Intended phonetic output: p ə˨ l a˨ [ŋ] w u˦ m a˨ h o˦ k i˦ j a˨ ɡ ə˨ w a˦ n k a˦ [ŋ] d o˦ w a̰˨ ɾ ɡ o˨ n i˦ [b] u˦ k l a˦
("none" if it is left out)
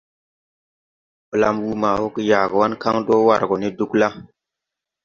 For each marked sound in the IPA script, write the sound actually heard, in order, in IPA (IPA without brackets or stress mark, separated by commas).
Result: m, ŋ, d